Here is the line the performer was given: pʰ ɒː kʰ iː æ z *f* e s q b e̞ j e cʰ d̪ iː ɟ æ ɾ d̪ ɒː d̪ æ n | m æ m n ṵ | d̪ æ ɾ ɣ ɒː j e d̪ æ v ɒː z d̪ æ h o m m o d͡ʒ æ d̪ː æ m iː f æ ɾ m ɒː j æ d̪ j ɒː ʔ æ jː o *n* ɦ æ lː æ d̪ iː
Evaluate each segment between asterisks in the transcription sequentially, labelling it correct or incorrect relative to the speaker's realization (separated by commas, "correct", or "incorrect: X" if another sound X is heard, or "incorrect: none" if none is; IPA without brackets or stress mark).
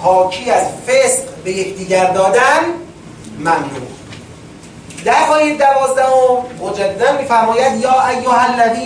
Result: correct, incorrect: none